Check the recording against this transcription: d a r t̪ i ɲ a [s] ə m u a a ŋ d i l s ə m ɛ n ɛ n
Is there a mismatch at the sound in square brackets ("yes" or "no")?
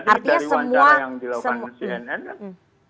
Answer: no